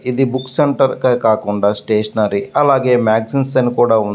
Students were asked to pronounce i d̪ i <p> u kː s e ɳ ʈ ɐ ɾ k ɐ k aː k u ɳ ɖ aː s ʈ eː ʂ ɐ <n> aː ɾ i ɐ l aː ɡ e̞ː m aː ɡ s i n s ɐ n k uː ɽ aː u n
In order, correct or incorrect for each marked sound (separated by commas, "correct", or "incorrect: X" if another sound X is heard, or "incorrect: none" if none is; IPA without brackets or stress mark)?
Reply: incorrect: b, correct